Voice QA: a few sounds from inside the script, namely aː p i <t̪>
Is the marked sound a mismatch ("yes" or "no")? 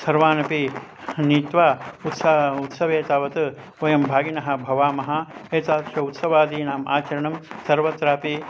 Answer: yes